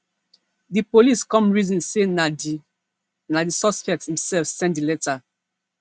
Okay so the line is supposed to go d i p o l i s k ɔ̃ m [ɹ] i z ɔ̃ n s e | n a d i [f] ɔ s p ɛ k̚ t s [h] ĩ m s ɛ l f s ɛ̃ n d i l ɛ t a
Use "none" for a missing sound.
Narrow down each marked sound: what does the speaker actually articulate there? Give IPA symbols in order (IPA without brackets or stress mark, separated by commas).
ɹ, s, h